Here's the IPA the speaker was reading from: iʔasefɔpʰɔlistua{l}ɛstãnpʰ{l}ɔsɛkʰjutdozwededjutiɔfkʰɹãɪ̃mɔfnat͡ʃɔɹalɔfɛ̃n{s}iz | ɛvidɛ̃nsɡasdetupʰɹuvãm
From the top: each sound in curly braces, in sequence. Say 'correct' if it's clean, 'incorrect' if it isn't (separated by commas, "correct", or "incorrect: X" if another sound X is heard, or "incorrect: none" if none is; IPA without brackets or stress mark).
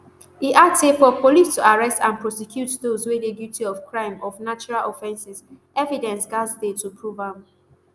incorrect: ɹ, incorrect: ɹ, correct